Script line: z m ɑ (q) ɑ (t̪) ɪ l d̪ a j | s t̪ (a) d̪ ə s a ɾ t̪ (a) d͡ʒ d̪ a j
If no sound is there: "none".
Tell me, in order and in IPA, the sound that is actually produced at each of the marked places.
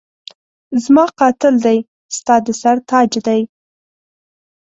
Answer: q, t̪, ɑ, ɑ

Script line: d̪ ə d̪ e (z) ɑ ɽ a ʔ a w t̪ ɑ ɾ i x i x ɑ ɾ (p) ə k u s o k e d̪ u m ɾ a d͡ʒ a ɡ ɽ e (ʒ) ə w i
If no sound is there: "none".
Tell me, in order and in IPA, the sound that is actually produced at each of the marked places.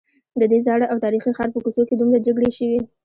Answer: z, p, ʃ

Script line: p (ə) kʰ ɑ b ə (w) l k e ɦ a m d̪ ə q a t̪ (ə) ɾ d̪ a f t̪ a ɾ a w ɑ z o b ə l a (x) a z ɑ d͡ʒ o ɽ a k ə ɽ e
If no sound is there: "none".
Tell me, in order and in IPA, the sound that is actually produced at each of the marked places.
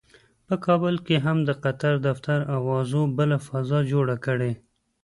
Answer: ə, none, a, f

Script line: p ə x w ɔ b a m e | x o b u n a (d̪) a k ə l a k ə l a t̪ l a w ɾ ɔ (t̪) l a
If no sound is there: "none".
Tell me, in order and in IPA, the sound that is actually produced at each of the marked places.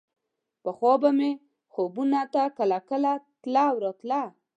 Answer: t̪, t̪

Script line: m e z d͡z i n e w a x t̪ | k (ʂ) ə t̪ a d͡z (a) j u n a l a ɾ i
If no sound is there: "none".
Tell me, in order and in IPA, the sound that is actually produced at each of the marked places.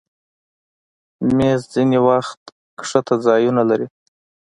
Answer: ʂ, ɑ

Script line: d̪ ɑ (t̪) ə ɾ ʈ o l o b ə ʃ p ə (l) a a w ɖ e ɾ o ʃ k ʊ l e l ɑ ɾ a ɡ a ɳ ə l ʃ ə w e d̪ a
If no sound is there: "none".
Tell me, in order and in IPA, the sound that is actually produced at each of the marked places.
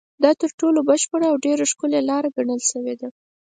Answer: t̪, ɽ

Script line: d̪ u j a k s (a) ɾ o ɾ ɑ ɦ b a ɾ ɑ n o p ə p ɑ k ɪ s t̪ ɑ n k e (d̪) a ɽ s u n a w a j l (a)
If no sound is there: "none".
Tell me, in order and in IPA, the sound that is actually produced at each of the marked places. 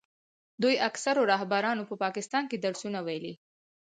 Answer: a, d̪, i

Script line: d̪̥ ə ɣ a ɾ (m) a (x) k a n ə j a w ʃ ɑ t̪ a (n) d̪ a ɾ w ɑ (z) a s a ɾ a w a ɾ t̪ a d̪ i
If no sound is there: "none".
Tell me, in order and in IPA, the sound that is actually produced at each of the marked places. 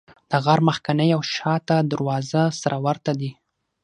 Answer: m, x, none, z

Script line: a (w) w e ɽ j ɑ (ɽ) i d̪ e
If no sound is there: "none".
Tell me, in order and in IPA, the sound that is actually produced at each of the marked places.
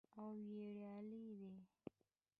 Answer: w, l

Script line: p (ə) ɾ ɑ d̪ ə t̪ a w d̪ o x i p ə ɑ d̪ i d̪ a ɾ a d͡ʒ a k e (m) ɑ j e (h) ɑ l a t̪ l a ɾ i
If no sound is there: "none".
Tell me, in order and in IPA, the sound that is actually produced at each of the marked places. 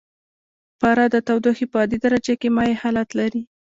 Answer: ɑ, m, h

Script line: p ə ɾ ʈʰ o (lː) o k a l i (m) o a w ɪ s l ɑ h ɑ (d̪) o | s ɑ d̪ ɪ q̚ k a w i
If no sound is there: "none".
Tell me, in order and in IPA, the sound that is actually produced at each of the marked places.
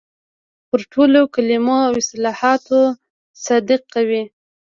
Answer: l, m, t̪

